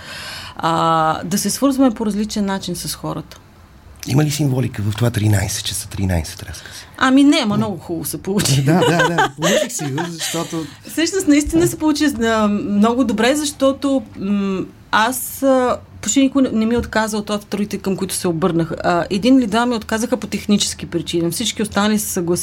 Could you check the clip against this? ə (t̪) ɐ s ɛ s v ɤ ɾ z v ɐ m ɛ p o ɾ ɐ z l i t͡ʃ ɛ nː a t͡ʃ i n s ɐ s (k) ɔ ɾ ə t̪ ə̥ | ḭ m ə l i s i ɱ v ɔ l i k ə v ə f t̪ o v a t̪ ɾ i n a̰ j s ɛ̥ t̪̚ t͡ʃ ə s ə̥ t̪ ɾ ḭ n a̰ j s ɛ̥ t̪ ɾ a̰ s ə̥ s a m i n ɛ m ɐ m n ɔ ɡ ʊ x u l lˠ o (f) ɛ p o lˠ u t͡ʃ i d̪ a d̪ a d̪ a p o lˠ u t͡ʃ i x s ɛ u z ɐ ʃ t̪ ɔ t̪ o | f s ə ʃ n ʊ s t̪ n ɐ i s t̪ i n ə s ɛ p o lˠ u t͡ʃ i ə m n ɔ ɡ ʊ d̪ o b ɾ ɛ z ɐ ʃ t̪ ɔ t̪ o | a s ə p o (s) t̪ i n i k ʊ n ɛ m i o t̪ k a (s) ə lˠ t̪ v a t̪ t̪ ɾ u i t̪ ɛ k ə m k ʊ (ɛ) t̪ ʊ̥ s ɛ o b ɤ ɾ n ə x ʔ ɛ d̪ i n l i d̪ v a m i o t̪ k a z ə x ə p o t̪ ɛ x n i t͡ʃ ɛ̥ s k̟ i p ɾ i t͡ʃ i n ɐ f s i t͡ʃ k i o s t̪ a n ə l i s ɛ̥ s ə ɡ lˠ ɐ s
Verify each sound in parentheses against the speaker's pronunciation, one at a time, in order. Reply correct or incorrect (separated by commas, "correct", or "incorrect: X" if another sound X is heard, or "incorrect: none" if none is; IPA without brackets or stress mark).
incorrect: d̪, incorrect: x, incorrect: s, incorrect: ʃ, incorrect: z, incorrect: i